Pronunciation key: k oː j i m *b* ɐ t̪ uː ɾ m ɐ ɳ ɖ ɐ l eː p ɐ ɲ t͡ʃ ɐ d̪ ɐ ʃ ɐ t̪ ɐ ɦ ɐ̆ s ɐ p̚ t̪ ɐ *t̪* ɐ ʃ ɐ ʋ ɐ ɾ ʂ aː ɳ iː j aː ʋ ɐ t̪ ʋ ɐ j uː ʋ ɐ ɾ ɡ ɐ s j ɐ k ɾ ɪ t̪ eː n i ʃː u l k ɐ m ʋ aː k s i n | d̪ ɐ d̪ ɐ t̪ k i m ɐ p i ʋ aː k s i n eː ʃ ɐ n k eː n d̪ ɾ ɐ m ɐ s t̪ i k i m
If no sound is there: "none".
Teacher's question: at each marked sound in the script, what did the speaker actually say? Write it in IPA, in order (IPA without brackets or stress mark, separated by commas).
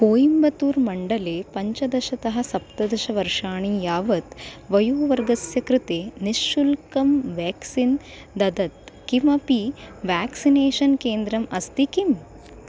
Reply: b, d̪